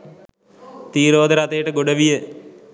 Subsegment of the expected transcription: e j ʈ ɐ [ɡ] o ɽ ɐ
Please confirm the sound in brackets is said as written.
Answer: yes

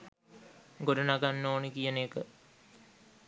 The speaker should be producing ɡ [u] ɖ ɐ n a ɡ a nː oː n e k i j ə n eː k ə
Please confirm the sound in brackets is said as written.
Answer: no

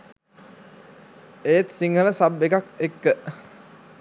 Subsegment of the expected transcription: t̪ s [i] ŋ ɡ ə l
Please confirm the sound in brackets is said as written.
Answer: yes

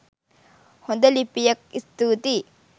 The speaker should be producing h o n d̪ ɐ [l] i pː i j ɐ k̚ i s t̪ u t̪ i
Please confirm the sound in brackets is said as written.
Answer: yes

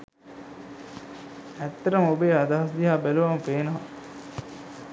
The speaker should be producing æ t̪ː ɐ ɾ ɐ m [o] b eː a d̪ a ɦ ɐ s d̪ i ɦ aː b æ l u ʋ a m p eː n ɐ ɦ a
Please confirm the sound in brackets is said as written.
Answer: yes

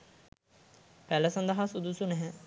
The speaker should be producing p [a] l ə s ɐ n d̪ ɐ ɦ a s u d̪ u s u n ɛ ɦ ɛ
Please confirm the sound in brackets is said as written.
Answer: no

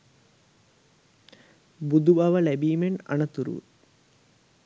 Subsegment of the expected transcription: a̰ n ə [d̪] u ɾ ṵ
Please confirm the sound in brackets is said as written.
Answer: no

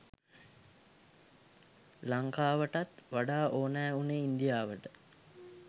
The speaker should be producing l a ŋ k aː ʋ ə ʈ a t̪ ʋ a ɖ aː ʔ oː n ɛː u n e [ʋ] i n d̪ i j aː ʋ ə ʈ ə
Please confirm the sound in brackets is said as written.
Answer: no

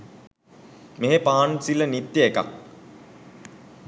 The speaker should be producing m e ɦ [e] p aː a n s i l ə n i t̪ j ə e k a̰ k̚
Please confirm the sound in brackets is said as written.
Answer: yes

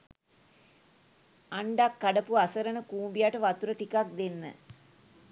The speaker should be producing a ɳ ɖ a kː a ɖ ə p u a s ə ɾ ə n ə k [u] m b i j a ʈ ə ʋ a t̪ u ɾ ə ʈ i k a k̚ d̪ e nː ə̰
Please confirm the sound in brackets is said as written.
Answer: no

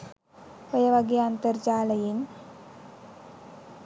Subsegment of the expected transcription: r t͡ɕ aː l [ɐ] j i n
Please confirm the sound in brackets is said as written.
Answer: yes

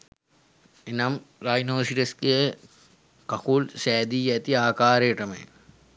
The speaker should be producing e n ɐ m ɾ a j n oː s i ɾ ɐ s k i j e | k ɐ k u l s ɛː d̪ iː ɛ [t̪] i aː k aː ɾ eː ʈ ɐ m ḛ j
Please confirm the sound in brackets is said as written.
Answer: yes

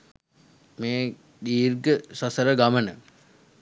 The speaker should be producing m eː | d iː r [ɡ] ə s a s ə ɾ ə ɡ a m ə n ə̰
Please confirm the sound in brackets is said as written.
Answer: yes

